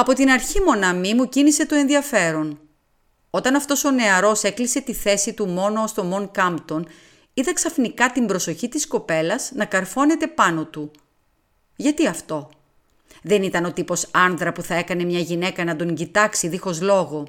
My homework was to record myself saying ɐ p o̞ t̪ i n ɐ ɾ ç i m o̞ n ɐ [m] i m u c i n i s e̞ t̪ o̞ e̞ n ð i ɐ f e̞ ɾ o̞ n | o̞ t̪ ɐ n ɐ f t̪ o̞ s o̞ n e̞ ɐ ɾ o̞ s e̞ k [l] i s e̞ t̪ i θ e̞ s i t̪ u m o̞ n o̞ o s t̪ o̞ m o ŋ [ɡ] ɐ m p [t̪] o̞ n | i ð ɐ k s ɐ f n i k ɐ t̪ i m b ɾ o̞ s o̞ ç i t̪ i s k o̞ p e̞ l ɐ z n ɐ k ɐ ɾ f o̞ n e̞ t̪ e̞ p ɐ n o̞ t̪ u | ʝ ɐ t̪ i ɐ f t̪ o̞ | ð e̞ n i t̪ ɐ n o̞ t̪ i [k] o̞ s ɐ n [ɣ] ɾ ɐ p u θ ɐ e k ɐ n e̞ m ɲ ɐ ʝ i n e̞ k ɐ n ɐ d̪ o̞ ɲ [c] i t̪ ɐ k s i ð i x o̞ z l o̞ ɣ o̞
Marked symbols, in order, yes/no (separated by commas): yes, yes, no, yes, no, no, no